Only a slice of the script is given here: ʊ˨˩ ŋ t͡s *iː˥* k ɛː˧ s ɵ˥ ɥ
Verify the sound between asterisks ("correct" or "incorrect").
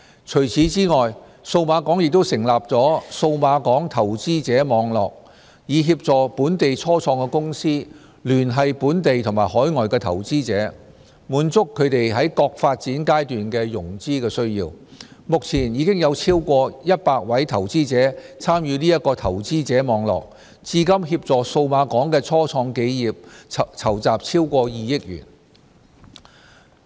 correct